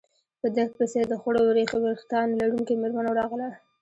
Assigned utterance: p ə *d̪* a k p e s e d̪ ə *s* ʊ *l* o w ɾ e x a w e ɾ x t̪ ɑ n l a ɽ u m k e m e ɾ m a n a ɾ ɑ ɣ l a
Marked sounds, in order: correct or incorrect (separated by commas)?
correct, incorrect, incorrect